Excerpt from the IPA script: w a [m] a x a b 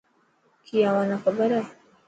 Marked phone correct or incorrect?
incorrect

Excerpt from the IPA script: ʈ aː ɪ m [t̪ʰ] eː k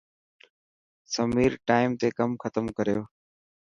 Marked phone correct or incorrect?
incorrect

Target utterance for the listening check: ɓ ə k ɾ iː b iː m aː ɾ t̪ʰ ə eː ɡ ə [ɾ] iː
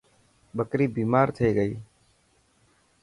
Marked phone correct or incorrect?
incorrect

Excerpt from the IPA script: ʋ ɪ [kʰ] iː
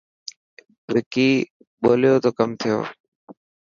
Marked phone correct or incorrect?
incorrect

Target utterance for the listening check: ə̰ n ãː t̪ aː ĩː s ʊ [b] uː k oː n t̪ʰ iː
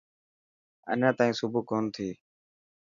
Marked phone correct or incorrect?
correct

